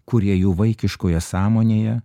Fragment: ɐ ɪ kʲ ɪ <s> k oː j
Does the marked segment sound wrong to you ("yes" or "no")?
yes